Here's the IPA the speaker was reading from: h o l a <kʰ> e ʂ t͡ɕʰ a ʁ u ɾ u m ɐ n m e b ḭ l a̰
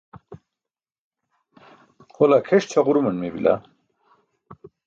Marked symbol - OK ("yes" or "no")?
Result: yes